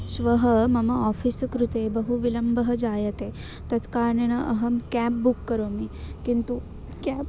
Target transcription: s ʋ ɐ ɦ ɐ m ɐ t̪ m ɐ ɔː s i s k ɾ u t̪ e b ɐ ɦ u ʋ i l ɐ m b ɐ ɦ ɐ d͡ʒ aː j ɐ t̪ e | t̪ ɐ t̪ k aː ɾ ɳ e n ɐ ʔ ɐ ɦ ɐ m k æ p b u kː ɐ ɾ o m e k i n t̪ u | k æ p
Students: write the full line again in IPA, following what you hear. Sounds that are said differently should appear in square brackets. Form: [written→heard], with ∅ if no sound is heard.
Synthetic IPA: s ʋ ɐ ɦ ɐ m ɐ [t̪→∅] m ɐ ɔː [s→f] i s k ɾ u t̪ e b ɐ ɦ u ʋ i l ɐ m b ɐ ɦ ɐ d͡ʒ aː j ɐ t̪ e | t̪ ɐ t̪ k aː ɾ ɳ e n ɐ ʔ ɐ ɦ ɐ m k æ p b u kː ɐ ɾ o m [e→i] k i n t̪ u | k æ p